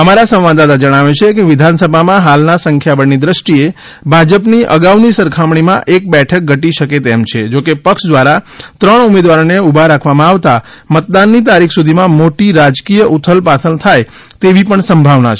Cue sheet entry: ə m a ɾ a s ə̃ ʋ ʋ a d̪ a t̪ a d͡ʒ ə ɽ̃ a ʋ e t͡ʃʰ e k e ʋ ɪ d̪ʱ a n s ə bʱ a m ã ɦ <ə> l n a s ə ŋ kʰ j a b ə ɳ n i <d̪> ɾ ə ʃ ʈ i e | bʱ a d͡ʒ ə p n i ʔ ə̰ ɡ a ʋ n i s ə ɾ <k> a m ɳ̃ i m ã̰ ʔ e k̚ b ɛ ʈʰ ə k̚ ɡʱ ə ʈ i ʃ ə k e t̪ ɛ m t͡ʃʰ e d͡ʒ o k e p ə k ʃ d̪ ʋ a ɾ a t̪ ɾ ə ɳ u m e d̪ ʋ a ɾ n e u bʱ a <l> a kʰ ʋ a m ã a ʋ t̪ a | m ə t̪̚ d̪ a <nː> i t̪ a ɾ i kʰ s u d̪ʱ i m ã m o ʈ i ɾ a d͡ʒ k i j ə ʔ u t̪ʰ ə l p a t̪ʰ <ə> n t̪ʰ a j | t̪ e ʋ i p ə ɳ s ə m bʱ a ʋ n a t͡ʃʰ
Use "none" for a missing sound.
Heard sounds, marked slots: a, d̪, kʰ, ɾ, nː, ə

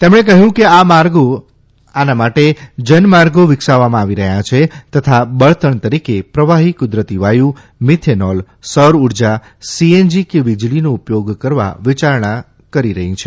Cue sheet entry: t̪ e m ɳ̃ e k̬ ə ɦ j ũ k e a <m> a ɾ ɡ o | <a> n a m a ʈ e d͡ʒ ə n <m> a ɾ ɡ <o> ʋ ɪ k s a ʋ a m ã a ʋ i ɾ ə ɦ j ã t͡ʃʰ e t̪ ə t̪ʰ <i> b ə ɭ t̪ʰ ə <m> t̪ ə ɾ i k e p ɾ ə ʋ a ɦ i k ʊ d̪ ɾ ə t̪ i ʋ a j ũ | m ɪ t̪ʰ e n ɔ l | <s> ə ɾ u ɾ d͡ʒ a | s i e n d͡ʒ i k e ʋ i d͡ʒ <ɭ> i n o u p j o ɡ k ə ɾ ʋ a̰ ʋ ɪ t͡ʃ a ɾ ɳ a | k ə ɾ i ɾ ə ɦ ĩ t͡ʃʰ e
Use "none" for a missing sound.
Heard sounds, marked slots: m, a, m, o, a, ɳ, s, l

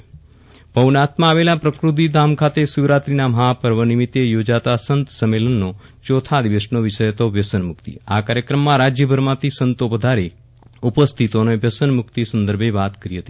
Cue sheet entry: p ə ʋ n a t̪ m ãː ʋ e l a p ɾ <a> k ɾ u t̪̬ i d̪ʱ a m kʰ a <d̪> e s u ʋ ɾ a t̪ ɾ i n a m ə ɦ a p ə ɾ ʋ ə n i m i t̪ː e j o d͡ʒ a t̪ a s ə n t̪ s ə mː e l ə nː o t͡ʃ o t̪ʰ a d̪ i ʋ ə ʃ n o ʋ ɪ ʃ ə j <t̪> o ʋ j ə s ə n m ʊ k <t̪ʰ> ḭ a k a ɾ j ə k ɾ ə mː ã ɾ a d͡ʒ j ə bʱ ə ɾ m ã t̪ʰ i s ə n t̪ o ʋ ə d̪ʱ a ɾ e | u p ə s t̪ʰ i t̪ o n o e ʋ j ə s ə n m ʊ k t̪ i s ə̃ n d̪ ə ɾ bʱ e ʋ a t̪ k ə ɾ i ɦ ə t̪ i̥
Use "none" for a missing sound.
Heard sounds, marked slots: ə, t̪, t̪, t̪

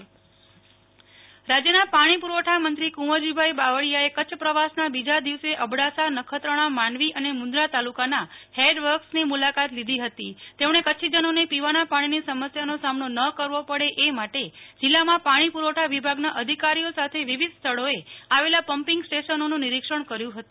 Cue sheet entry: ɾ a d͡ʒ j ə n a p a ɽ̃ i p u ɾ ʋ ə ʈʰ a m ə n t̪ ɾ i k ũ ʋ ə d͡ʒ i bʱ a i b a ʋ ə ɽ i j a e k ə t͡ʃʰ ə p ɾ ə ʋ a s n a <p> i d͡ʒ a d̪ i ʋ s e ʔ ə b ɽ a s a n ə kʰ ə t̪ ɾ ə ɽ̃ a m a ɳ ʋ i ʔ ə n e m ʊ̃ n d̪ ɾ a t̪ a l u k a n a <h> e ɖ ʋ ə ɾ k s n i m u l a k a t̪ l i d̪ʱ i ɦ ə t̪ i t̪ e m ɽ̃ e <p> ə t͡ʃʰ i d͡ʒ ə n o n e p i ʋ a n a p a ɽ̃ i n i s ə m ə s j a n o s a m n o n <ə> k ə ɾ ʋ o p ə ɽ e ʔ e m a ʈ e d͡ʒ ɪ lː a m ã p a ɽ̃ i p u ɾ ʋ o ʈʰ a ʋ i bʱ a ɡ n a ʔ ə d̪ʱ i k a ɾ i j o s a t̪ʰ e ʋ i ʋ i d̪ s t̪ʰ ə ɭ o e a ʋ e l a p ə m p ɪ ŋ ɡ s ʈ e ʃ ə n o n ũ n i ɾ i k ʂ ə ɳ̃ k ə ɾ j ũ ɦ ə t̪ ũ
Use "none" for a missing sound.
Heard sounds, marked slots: b, h, k, ə

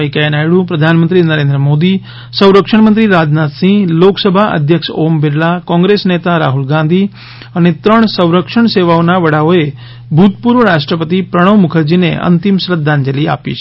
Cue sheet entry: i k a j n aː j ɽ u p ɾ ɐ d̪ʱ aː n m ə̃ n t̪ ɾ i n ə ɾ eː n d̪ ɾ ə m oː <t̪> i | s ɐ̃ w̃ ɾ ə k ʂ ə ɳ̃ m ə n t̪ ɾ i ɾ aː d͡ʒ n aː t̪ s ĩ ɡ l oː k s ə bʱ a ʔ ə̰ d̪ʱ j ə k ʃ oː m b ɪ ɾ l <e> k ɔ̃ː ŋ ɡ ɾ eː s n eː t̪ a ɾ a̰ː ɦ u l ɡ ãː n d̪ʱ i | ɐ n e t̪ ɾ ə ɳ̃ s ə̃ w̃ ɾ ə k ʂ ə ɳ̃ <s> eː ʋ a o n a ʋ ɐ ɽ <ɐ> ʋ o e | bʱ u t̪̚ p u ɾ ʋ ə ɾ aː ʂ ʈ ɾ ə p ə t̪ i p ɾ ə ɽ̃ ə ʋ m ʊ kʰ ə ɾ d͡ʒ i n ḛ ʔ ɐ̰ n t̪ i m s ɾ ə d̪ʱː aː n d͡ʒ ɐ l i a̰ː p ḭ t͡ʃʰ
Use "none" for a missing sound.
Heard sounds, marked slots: d̪, a, s, a

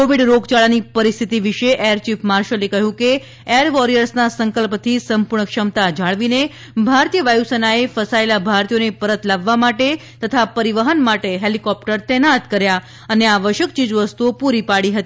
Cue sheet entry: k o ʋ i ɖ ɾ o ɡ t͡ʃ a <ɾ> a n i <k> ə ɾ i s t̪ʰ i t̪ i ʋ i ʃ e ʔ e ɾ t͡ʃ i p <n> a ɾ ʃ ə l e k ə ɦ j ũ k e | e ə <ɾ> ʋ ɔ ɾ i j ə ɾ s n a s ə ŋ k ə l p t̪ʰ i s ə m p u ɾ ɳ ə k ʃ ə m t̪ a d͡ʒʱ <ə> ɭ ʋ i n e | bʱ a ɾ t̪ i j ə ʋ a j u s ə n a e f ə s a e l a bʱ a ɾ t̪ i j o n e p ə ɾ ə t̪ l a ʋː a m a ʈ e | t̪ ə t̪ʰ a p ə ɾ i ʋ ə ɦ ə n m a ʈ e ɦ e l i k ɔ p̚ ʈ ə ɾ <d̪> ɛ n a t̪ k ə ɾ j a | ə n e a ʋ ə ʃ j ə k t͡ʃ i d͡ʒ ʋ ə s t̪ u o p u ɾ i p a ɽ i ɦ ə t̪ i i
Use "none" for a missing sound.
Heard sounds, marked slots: ɭ, p, m, ɾ, a, t̪

